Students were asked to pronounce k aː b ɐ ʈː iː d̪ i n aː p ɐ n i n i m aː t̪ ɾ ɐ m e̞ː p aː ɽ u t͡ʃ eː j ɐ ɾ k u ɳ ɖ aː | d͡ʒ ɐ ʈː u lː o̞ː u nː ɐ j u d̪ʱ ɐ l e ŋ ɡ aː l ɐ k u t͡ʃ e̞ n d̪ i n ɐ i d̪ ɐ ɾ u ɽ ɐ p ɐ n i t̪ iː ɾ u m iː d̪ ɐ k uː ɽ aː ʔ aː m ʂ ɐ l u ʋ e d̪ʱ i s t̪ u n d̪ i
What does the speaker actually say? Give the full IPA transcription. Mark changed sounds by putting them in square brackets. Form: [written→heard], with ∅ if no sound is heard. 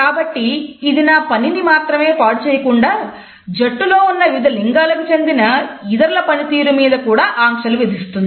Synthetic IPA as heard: k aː b ɐ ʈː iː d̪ i n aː p ɐ n i n i m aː t̪ ɾ ɐ m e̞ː p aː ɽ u t͡ʃ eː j ɐ [ɾ→∅] k u ɳ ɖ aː | d͡ʒ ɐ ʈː u [lː→l] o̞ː u nː ɐ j u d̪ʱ ɐ l [e→i] ŋ ɡ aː l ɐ k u t͡ʃ e̞ n d̪ i n ɐ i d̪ ɐ ɾ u [ɽ→l] ɐ p ɐ n i t̪ iː ɾ u m iː d̪ ɐ k uː ɽ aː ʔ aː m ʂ ɐ l u ʋ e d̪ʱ i s t̪ u n d̪ i